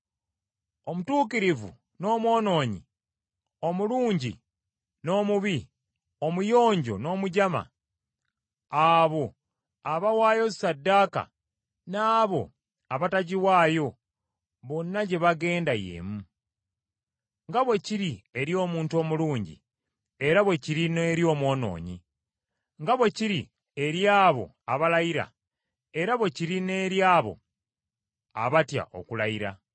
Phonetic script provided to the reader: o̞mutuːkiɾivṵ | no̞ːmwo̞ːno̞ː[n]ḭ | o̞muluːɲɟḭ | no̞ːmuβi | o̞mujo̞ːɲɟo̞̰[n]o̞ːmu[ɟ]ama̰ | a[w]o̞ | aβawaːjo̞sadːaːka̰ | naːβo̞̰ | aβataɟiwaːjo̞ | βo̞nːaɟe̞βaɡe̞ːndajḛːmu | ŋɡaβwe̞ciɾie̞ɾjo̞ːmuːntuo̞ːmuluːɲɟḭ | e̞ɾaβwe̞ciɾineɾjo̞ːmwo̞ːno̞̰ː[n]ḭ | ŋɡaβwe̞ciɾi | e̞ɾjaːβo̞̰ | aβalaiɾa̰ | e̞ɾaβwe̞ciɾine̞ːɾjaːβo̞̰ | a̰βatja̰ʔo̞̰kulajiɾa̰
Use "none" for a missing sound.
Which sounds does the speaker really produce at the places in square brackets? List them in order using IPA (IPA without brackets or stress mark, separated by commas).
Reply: ɲ, n, ɟ, β, ɲ